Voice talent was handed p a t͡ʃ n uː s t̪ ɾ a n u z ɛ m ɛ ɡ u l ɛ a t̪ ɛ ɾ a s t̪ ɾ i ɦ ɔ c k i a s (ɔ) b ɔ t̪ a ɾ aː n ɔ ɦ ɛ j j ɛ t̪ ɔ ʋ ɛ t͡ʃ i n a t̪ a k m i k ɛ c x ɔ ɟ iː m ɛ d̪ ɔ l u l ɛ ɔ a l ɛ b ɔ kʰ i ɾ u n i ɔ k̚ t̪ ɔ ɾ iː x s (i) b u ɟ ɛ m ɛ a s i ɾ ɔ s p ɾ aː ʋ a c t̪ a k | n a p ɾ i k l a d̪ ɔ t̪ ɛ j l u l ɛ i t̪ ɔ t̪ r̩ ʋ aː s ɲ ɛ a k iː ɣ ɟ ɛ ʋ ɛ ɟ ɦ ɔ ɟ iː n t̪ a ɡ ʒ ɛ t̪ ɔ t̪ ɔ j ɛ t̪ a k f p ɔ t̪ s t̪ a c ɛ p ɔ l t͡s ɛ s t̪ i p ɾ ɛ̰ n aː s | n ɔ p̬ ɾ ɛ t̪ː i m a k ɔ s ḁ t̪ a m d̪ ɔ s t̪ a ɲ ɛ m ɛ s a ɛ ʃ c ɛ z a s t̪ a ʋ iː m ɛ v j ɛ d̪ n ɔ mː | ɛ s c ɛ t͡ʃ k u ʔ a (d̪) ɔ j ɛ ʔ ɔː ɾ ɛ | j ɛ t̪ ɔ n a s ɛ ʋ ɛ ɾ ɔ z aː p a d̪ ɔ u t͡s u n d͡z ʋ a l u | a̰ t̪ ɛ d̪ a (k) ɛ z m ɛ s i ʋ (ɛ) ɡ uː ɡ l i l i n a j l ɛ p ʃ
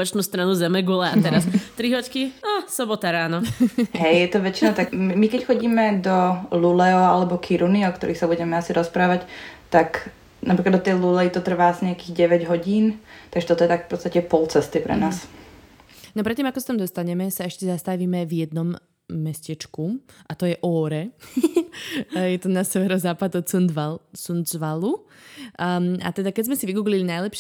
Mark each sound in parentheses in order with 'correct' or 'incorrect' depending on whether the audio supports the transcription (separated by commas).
correct, incorrect, incorrect, correct, incorrect